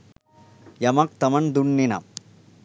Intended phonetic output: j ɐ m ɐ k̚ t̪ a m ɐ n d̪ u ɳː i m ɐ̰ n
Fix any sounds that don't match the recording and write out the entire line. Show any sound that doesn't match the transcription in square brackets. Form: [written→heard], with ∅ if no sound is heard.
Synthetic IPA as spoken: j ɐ m ɐ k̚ t̪ [a→ɐ] m ɐ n d̪ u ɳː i [m→n] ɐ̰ [n→m]